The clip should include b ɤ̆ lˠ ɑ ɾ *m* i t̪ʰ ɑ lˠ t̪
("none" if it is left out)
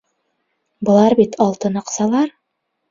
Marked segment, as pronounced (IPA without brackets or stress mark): b